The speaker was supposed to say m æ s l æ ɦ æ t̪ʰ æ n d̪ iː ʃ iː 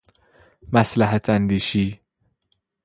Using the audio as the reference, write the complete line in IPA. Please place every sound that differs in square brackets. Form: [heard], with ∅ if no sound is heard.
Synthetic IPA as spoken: m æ s l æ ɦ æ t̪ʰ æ n d̪ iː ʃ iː